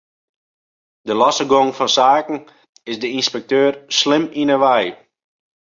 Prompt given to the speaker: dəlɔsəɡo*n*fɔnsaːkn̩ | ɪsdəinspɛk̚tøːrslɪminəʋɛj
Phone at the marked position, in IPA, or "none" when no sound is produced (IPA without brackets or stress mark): ŋ